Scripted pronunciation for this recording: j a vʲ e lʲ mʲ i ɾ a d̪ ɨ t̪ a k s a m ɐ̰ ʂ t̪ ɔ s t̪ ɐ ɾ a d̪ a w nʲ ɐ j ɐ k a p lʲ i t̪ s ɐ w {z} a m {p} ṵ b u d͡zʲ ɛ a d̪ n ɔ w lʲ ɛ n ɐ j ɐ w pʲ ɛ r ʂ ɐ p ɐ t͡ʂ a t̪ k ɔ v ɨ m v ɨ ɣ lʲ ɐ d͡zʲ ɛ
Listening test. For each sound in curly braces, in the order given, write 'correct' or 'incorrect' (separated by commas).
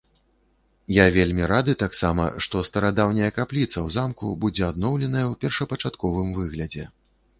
correct, incorrect